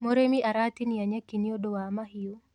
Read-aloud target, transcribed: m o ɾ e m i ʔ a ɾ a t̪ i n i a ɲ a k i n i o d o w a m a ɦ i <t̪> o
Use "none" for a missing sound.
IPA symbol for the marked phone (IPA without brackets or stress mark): none